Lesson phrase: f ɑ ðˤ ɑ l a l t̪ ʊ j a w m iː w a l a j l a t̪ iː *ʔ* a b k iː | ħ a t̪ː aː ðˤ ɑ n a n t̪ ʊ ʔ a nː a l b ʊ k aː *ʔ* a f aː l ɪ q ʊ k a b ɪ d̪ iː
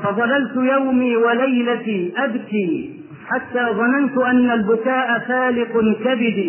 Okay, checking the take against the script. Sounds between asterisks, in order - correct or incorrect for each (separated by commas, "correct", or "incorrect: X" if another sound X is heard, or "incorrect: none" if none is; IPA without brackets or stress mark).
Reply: correct, correct